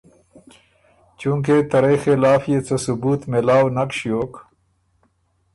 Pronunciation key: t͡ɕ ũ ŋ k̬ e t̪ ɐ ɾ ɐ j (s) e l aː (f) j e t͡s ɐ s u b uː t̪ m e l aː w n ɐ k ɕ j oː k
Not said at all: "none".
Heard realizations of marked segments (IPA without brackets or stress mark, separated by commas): x, f